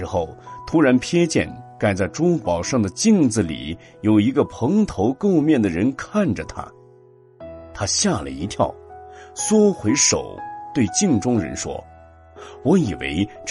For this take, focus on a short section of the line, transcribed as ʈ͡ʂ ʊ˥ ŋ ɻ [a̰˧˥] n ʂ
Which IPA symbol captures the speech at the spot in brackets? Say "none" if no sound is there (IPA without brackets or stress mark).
ə̰˧˥